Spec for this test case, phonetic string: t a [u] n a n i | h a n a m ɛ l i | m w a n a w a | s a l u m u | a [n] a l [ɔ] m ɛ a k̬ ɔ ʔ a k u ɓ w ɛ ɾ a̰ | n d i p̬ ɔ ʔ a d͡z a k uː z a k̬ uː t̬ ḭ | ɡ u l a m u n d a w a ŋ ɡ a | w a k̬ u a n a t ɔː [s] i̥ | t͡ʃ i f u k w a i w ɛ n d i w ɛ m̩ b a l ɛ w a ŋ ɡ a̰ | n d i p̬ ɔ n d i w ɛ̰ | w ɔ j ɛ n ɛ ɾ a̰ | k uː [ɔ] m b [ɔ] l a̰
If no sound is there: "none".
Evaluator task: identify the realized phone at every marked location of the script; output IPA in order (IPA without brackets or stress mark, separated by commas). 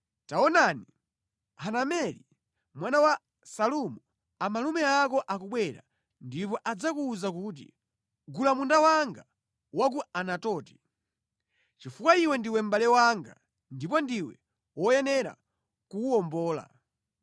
ɔ, m, u, t, ɔ, ɔː